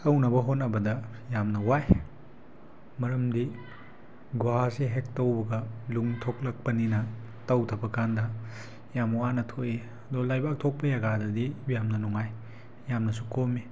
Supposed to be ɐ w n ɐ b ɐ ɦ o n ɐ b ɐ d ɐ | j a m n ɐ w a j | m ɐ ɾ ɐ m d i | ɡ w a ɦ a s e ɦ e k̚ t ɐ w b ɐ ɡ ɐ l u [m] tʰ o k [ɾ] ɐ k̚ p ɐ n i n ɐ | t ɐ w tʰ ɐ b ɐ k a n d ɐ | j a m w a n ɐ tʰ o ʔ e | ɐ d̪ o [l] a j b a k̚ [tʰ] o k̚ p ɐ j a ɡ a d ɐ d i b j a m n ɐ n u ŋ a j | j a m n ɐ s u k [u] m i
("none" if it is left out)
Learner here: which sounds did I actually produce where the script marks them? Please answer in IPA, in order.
ŋ, l, l, tʰ, o

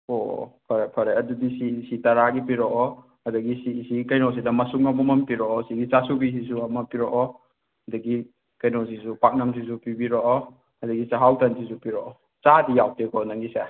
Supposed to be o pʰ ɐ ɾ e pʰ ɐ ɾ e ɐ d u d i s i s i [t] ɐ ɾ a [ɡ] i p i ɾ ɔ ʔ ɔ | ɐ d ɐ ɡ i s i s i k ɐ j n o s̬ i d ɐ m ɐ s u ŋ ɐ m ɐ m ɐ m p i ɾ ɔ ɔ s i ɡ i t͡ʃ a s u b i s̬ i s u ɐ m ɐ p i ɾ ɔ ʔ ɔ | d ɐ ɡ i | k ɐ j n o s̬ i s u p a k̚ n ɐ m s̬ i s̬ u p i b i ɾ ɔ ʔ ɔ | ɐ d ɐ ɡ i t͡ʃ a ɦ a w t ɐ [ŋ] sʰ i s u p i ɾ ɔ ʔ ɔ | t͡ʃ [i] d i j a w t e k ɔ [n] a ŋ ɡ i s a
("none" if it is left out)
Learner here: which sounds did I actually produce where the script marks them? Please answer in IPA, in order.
t, ɡ, n, a, n

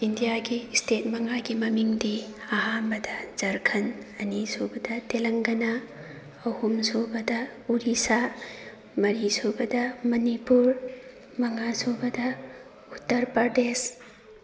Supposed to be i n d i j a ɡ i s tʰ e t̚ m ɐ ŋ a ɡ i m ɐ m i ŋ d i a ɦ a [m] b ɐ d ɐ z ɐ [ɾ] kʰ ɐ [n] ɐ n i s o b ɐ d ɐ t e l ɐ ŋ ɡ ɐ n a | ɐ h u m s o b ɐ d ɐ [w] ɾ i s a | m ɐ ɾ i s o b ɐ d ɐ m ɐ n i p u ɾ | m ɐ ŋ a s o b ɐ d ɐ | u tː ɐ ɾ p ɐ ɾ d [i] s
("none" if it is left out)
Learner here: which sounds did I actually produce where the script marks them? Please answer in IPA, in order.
m, ɾ, n, u, e

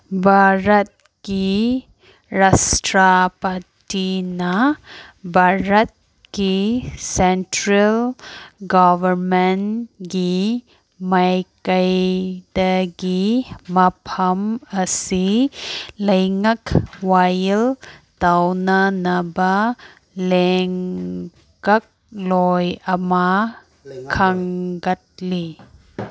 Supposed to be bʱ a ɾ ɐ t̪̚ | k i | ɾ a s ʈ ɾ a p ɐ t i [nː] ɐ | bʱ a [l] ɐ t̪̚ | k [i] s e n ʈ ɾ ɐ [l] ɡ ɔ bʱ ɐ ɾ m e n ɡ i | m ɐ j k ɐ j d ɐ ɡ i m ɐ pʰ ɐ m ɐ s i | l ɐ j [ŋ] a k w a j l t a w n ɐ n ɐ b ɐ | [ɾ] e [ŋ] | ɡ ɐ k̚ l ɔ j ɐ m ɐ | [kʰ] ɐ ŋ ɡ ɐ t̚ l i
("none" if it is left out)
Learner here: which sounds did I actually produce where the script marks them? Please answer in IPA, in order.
n, ɾ, i, l, ŋ, l, ŋ, kʰ

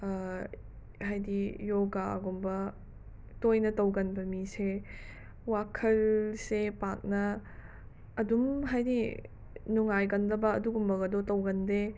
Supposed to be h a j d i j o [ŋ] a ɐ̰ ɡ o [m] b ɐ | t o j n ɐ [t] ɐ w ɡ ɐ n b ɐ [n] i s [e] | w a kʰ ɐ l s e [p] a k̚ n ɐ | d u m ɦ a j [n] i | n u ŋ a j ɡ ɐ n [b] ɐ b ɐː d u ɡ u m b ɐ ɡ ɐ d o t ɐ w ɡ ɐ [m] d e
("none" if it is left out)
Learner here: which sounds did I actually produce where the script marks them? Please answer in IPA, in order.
ɡ, m, t, m, e, p, d, d, n

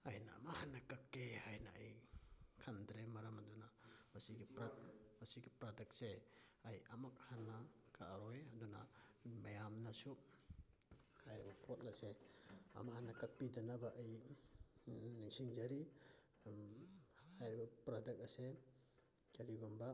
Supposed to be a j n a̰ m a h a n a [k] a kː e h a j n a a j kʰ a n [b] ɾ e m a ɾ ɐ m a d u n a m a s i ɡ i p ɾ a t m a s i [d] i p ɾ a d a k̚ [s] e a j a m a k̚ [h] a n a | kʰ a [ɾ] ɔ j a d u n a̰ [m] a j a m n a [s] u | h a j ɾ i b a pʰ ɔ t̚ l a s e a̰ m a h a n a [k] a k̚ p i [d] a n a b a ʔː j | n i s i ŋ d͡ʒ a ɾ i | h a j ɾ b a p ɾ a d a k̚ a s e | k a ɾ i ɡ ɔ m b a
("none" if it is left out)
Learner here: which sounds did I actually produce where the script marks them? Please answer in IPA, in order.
k, d, ɡ, s, h, ɾ, m, s, k, d

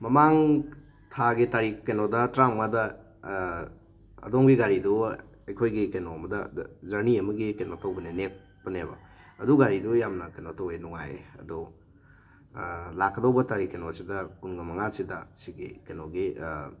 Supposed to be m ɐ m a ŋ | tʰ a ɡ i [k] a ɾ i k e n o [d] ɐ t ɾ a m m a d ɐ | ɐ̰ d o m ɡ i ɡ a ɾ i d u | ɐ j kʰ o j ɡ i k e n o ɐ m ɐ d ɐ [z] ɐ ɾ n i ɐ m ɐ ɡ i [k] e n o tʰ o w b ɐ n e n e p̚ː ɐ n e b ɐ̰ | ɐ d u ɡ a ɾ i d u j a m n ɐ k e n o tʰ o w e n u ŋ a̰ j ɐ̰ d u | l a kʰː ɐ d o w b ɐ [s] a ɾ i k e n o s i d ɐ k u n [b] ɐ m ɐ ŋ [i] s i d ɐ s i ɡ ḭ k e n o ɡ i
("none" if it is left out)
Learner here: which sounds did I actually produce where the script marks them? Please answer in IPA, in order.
t, d, z, k, t, ɡ, a

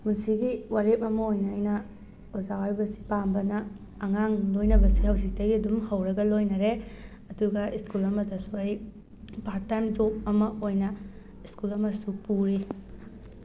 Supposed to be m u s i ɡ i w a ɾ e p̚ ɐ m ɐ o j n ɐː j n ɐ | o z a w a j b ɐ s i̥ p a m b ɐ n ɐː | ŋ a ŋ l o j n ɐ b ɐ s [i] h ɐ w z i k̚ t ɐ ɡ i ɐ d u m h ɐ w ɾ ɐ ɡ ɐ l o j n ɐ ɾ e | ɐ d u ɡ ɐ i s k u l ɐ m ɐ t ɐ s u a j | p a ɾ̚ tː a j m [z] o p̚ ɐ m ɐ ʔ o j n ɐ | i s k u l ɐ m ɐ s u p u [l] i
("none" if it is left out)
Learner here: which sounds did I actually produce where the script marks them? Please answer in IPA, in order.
i, z, ɾ

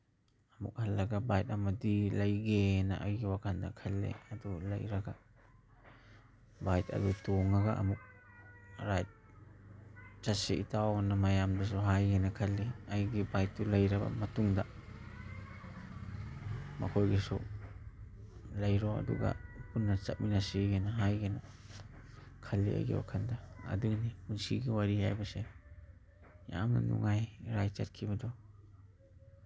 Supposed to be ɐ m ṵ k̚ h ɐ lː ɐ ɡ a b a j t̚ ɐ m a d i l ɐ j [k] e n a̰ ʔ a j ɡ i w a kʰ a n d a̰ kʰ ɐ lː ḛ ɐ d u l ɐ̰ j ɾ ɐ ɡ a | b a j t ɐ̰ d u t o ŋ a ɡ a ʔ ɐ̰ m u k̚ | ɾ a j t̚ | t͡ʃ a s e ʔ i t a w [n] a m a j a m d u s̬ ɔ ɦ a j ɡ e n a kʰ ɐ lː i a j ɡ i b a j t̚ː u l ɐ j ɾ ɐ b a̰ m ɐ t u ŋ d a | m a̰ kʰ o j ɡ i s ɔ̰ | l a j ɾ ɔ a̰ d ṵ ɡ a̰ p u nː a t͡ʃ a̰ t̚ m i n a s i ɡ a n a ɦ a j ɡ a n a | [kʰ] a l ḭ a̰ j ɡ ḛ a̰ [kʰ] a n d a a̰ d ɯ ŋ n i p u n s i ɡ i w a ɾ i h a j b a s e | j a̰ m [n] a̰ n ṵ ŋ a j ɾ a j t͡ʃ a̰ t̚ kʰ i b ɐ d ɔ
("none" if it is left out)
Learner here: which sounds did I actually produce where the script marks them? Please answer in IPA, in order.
ɡ, n, kʰ, kʰ, n

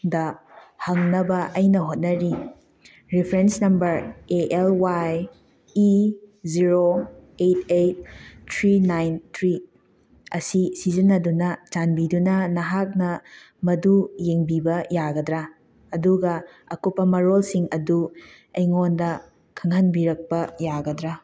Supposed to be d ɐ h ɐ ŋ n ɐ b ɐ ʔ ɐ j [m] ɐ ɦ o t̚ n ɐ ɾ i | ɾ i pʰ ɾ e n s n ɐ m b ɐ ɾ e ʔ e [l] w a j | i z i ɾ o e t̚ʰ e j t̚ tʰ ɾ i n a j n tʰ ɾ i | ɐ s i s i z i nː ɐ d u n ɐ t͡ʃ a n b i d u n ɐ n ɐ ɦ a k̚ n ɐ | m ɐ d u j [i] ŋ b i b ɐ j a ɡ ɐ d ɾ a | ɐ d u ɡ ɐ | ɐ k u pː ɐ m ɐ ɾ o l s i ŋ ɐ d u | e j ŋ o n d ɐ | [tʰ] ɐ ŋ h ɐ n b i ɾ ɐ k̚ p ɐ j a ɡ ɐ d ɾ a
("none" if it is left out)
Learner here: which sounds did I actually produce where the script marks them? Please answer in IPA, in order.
n, l, e, kʰ

